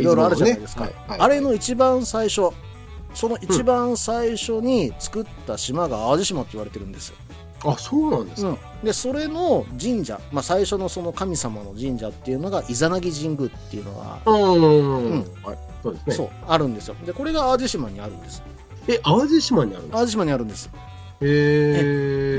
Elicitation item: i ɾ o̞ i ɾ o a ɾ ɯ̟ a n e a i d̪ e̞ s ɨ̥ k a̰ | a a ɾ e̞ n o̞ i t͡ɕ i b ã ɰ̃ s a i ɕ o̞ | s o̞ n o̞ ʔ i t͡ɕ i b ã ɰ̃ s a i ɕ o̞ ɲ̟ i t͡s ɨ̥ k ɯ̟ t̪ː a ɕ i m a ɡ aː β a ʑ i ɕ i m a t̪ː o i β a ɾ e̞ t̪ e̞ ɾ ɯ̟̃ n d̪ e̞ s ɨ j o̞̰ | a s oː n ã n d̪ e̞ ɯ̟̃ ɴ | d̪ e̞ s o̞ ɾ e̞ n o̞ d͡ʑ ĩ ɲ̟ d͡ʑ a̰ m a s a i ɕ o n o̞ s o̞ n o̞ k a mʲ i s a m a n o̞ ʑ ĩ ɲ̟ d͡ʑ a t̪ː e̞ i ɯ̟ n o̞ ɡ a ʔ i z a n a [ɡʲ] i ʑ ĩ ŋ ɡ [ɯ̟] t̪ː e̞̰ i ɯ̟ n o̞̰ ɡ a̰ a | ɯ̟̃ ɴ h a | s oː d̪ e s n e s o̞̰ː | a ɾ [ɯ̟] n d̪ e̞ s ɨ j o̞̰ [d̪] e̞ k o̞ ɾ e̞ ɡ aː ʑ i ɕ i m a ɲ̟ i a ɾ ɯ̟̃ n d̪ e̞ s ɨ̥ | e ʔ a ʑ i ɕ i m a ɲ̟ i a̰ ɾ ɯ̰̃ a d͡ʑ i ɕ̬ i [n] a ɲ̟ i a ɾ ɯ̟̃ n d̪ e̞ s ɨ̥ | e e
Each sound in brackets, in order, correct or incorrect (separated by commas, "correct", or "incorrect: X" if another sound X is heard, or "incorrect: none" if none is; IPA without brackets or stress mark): correct, correct, incorrect: ɯ̟̃, correct, incorrect: m